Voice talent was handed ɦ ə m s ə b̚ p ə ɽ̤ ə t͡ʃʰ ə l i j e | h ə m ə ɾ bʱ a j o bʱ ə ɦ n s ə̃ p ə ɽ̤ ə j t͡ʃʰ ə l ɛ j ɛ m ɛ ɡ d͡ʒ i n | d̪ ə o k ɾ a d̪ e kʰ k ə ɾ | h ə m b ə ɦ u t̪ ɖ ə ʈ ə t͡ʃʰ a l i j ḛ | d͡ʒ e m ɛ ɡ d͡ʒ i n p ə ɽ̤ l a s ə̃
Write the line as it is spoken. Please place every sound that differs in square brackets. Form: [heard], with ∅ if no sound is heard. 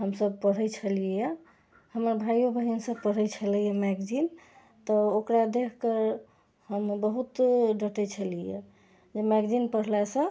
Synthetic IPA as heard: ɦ ə m s ə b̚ p ə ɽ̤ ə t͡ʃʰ ə l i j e | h ə m ə ɾ bʱ a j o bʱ ə ɦ n s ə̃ p ə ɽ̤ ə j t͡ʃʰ ə l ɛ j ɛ m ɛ ɡ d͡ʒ i n | [t̪] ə o k ɾ a d̪ e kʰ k ə ɾ | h ə m b ə ɦ u t̪ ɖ ə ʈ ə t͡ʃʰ [ə] l i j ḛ | d͡ʒ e m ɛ ɡ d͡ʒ i n p ə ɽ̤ l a s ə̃